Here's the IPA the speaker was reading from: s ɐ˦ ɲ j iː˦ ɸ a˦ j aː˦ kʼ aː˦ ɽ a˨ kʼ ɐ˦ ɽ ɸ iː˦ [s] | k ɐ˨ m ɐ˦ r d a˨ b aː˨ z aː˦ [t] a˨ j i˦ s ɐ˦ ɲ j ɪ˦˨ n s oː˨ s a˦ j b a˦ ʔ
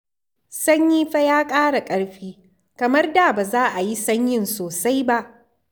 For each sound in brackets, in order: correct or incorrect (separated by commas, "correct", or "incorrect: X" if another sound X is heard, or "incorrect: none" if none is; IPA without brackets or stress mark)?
incorrect: none, incorrect: ʔ